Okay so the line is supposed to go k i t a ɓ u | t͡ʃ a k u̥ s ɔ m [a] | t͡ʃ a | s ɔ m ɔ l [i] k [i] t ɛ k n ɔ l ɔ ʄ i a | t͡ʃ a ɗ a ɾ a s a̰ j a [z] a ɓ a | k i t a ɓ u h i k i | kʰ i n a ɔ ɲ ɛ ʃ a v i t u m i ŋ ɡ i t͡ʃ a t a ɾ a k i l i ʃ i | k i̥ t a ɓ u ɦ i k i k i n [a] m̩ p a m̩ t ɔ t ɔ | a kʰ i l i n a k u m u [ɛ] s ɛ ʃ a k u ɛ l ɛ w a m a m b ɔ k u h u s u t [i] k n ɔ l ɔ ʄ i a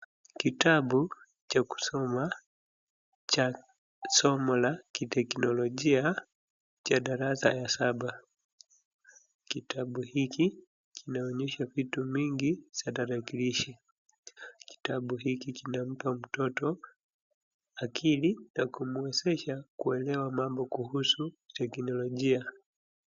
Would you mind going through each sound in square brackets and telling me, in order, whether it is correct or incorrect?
correct, incorrect, correct, incorrect, correct, correct, incorrect

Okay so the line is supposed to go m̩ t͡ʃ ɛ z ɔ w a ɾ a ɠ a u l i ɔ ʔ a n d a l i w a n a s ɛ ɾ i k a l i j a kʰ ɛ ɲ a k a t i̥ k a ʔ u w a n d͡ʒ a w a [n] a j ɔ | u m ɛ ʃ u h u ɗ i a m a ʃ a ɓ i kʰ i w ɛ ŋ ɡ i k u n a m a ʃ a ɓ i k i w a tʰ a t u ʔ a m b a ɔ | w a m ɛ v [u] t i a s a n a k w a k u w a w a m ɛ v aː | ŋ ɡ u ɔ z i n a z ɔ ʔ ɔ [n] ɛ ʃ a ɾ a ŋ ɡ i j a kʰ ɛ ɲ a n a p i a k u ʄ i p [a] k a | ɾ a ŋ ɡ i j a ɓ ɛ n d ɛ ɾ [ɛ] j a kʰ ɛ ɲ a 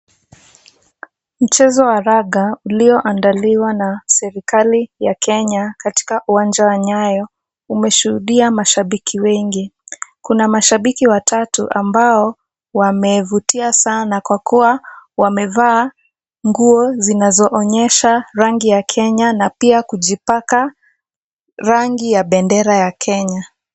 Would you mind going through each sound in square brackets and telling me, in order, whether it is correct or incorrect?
incorrect, correct, incorrect, correct, incorrect

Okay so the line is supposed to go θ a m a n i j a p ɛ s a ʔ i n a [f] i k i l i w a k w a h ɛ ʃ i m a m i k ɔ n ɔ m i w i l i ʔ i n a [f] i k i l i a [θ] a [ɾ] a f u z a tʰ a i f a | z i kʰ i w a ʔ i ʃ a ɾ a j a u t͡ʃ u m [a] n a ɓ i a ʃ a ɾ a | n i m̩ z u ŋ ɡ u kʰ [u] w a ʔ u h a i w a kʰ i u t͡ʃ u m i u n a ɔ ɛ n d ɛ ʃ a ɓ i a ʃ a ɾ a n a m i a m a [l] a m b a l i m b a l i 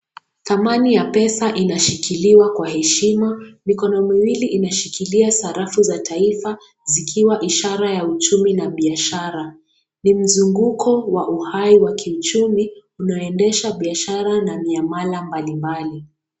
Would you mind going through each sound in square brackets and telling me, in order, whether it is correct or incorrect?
incorrect, incorrect, incorrect, correct, incorrect, incorrect, correct

